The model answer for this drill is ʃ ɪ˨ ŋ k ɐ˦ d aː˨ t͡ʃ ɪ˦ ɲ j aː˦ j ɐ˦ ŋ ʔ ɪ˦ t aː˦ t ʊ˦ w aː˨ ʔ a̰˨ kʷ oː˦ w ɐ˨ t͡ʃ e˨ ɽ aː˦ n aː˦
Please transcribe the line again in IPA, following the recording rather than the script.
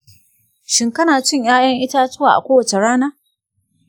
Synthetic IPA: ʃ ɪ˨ ŋ k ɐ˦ n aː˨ t͡ʃ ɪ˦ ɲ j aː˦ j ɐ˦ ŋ ʔ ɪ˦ t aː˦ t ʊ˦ w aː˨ ʔ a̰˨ kʷ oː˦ w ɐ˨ t͡ʃ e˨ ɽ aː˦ n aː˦